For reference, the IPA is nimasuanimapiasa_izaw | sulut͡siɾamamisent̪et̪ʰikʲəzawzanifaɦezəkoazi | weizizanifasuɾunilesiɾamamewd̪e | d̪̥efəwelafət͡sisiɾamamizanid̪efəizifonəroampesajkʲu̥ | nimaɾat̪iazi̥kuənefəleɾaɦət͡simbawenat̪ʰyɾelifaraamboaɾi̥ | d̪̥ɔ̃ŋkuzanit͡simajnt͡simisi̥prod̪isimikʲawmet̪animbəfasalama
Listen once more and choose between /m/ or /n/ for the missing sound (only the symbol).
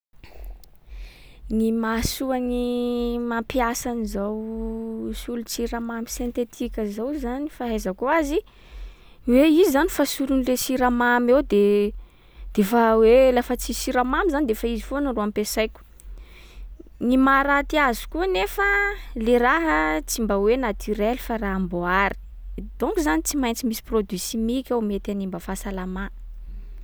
n